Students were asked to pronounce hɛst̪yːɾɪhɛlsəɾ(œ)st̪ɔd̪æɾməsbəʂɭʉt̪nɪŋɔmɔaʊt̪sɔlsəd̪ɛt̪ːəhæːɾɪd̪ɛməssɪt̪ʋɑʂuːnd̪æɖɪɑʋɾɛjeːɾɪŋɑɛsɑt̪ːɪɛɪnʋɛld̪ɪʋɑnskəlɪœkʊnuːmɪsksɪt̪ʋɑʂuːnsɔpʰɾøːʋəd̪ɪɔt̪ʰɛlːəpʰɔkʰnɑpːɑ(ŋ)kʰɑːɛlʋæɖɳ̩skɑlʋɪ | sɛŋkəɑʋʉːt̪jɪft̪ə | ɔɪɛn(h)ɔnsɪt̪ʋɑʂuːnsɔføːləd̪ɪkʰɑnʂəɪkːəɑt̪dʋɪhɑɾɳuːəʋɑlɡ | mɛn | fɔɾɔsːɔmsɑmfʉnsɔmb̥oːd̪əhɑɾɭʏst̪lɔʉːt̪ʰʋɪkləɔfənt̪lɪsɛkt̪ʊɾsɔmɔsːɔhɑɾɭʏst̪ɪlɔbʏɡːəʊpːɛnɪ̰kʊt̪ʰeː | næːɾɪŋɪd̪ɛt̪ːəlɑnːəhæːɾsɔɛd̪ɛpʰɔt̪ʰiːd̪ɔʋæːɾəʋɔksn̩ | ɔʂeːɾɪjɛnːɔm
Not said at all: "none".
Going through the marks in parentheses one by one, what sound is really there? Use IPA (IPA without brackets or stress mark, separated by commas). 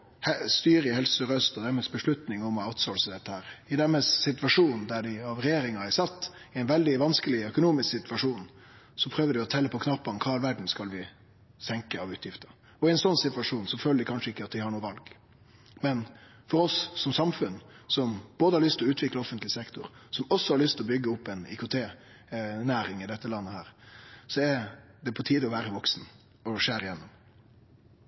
œ, n, s